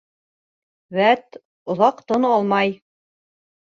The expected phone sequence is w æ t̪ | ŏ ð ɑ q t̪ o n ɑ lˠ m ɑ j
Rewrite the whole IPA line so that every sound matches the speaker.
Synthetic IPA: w æ t̪ | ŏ ð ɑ q t̪ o n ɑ lˠ m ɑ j